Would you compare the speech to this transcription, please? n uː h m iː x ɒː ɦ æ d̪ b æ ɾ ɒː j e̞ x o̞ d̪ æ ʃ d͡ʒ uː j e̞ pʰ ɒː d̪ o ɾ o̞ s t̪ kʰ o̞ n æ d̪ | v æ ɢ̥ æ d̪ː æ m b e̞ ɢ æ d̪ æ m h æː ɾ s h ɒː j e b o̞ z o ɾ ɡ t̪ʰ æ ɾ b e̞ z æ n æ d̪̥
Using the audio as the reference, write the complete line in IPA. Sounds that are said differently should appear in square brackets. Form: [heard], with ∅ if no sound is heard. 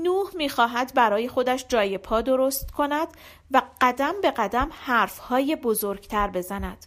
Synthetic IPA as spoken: n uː h m iː x ɒː ɦ æ d̪ b æ ɾ ɒː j e̞ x o̞ d̪ æ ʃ d͡ʒ [ɒː] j e̞ pʰ ɒː d̪ o ɾ o̞ s t̪ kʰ o̞ n æ d̪ | v æ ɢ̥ æ [d̪] æ m b e̞ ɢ æ d̪ æ m h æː ɾ [f] h ɒː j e b o̞ z o ɾ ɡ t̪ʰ æ ɾ b e̞ z æ n æ d̪̥